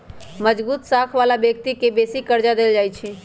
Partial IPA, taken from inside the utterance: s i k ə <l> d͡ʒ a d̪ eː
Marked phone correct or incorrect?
incorrect